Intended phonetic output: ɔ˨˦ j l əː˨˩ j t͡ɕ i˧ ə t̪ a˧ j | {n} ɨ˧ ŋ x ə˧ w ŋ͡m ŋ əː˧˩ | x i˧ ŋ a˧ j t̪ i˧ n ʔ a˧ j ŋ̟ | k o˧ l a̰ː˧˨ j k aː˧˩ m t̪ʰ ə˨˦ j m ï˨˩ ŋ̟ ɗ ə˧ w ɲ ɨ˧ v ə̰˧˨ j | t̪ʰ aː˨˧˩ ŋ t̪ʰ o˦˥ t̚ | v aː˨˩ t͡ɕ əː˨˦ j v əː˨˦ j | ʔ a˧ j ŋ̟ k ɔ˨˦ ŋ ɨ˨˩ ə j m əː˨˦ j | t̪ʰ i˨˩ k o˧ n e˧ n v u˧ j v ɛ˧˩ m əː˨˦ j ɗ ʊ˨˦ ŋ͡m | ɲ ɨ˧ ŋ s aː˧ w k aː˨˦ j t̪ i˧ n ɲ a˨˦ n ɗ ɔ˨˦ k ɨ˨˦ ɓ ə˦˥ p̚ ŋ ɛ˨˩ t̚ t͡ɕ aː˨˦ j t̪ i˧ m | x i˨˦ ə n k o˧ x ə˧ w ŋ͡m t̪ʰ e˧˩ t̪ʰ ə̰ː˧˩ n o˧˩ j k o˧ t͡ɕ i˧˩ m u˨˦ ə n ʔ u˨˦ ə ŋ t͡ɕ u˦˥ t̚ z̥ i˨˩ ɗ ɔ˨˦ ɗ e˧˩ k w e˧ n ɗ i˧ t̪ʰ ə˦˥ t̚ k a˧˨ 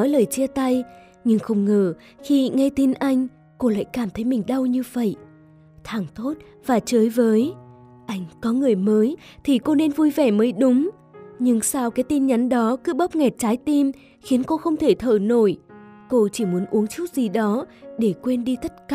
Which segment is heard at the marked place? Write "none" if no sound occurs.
ɲ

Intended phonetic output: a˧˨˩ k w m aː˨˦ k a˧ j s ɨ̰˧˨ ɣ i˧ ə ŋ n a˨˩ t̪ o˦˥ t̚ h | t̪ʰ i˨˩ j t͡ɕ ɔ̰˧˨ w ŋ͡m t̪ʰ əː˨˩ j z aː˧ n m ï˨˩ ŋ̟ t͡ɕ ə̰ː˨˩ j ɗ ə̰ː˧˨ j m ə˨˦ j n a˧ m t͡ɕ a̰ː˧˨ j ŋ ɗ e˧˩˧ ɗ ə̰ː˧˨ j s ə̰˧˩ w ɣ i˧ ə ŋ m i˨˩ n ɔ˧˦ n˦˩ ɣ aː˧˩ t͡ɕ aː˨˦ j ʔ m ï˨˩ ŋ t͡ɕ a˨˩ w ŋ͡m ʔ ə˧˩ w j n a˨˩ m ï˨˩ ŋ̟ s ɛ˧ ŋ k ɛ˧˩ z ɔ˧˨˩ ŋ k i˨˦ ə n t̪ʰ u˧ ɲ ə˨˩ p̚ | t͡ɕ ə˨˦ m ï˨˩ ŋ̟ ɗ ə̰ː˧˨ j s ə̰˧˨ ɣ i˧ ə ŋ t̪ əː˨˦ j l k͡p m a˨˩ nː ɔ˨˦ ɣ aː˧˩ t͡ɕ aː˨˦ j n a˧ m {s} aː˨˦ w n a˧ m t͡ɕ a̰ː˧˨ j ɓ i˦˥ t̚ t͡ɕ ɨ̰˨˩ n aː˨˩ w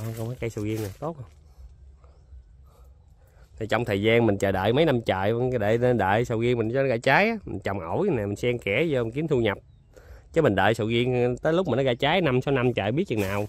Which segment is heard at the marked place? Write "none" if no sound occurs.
s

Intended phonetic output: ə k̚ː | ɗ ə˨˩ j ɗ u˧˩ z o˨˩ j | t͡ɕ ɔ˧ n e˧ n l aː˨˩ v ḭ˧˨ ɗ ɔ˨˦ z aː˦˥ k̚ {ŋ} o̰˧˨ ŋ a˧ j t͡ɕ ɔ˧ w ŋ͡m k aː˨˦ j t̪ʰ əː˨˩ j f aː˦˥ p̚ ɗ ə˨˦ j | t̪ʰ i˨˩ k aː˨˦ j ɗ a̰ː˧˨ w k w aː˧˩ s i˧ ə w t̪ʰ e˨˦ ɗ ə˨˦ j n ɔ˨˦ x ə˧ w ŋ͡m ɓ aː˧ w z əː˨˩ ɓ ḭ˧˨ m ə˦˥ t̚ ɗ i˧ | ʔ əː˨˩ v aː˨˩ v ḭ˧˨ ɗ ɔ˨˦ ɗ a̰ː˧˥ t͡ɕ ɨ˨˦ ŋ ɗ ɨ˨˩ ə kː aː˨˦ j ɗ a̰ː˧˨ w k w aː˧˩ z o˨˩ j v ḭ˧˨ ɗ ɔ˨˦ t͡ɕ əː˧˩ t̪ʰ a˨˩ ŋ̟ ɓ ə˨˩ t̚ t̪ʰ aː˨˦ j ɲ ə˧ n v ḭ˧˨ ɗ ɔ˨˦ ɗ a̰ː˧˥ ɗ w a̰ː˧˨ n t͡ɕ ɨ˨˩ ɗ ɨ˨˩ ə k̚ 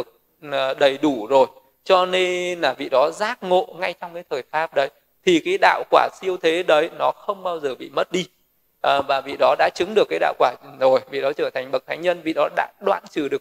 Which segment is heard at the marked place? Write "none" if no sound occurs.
ŋ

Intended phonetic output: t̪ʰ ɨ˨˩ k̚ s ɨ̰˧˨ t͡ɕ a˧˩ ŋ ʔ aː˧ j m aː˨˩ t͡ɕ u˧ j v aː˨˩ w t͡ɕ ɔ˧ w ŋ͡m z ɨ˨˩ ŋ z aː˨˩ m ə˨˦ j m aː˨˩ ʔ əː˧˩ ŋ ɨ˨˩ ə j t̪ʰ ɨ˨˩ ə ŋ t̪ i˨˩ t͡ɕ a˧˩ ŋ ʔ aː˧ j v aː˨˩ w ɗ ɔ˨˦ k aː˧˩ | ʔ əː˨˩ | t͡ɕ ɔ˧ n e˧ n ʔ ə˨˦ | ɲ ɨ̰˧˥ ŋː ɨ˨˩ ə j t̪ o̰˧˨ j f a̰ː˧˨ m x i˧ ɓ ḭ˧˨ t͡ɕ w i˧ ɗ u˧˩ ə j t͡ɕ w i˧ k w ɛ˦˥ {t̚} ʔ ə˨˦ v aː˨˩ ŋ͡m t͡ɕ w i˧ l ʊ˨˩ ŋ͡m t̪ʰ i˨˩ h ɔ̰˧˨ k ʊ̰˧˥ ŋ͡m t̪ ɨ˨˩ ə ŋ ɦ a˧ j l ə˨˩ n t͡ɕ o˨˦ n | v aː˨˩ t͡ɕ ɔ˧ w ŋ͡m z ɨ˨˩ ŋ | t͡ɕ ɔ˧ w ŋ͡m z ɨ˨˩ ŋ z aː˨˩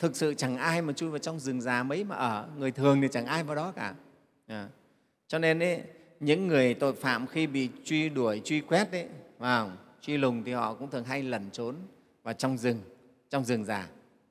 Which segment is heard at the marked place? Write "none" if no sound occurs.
t̚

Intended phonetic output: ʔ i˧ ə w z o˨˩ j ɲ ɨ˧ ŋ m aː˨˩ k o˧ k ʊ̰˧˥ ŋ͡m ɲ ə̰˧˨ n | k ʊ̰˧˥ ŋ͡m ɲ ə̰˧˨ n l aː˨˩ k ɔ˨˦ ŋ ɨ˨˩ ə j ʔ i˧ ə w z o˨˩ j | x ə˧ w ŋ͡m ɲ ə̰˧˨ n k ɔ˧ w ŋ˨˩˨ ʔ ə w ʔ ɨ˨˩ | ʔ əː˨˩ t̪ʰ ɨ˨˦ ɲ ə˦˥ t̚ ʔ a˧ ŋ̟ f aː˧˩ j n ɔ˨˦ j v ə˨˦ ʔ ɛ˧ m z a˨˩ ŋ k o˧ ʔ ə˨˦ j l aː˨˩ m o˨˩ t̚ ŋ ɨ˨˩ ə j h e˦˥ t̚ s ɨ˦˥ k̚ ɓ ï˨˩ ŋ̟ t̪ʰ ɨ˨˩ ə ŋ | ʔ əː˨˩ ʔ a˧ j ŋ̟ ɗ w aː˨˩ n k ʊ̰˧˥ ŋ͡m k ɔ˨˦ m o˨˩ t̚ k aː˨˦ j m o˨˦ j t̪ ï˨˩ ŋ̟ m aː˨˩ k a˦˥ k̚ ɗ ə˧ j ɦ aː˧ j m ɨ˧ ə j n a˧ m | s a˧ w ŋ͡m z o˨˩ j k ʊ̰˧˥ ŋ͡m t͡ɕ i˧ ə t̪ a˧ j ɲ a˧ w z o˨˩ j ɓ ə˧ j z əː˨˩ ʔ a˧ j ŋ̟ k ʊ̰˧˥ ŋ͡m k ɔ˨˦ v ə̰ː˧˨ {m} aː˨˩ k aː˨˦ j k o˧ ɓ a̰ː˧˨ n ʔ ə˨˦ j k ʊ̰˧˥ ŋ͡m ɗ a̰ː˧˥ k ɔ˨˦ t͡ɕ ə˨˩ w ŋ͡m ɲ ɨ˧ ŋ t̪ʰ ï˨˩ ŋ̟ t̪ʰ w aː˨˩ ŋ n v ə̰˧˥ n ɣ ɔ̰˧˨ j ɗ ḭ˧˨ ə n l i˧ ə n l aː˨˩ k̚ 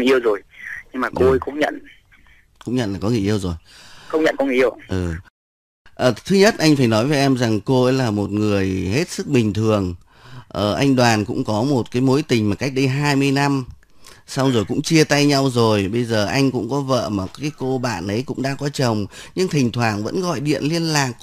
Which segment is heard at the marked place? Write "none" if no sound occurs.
m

